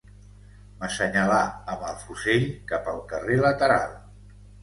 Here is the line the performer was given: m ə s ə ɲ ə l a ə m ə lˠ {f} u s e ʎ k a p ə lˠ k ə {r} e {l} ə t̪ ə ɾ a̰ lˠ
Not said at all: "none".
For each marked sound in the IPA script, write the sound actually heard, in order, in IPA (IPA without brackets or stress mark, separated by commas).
f, r, l